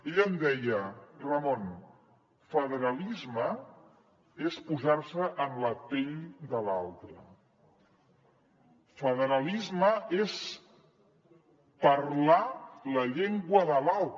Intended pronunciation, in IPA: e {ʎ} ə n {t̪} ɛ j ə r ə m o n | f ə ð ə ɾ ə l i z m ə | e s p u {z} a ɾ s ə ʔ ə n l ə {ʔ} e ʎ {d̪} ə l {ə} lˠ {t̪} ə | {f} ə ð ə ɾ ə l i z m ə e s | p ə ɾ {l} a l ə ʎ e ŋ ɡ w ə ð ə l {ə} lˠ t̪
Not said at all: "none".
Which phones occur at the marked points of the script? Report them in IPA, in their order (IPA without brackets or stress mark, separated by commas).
ʎ, d̪, z, p, d̪, a, t̪, f, l, a